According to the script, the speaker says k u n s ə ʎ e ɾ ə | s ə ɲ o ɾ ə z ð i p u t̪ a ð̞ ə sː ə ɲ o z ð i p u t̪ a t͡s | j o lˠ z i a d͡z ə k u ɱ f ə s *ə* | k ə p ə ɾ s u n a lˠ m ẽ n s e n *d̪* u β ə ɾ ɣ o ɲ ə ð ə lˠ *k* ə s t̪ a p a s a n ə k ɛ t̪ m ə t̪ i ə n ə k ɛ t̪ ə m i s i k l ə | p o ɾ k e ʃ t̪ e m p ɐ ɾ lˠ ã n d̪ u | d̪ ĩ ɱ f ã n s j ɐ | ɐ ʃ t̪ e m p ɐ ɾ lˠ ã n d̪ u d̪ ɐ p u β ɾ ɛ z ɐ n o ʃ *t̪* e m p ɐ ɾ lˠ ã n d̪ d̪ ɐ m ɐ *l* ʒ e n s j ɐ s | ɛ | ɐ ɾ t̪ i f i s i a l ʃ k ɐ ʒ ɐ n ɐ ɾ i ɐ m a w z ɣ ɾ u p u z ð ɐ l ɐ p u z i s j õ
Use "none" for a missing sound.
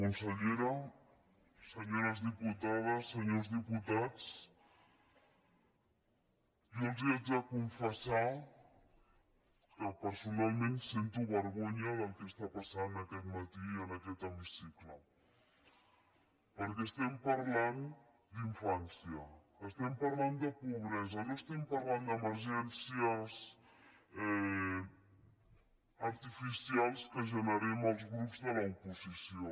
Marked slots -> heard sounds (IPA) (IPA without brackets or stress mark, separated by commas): a, t̪, k, t̪, ɾ